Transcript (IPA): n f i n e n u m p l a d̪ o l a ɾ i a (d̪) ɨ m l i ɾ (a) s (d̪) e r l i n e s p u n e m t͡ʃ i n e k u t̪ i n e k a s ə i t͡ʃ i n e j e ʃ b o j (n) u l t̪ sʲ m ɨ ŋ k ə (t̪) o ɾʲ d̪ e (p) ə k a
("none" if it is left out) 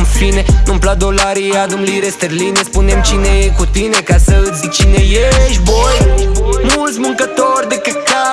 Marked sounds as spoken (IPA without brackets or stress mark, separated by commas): d̪, e, t̪, m, t̪, k